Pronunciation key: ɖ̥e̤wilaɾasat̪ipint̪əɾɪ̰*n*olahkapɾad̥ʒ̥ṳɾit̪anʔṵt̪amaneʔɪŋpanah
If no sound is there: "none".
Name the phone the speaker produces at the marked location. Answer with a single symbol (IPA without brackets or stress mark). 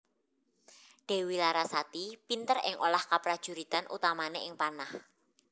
ŋ